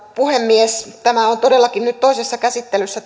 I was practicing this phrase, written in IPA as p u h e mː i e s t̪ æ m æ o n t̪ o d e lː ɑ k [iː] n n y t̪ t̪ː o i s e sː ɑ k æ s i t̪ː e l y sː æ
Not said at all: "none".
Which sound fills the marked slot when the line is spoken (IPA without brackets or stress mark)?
i